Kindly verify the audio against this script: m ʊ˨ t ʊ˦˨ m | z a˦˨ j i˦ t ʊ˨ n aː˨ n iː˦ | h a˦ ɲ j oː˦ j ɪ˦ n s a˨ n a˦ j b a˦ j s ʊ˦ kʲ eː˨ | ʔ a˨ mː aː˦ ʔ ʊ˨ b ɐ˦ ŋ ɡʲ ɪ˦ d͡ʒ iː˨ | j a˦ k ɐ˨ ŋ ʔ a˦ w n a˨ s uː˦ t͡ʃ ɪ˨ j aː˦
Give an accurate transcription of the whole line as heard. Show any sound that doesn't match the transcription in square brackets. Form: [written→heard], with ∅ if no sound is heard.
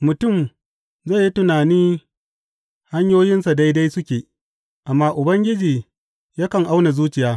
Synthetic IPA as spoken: m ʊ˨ t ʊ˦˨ m | z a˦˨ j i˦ t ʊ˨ n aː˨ n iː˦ | h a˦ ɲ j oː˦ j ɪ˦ n s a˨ [n→d] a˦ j [b→d] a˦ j s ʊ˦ kʲ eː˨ | ʔ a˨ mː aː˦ ʔ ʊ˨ b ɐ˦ ŋ ɡʲ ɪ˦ d͡ʒ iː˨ | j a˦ k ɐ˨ ŋ ʔ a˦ w n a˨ [s→z] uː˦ t͡ʃ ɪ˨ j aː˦